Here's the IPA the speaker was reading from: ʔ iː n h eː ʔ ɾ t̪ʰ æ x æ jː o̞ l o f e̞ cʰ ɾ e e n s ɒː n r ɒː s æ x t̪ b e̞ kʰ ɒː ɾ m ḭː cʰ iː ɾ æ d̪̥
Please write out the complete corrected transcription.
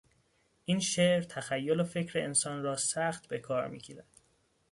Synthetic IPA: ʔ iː n ʃ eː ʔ ɾ t̪ʰ æ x æ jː o̞ l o f e̞ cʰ ɾ e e n s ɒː n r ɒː s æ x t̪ b e̞ kʰ ɒː ɾ m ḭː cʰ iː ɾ æ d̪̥